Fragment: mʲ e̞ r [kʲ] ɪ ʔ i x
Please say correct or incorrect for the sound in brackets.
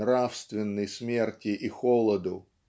incorrect